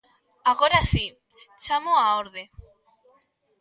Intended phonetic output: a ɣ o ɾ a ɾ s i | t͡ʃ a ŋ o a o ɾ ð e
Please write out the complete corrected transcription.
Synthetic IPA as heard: a ɣ o ɾ a s i | t͡ʃ a m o a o ɾ ð e